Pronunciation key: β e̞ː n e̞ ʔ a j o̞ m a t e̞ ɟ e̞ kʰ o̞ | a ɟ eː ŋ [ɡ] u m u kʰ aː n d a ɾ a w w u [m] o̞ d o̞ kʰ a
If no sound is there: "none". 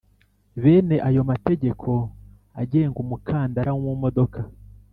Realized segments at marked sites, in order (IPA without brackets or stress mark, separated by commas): ɡ, m